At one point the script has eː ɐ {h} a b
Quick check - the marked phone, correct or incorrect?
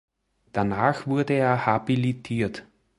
correct